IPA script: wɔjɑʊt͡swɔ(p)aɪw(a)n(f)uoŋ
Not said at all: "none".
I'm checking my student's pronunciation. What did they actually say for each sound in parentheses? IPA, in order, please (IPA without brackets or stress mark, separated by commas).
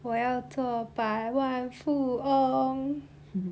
p, a, f